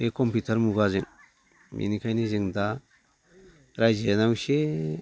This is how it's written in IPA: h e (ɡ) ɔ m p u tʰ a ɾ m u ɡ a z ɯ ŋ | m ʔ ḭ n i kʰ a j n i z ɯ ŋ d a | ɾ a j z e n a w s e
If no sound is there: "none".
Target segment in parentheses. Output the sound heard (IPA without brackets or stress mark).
k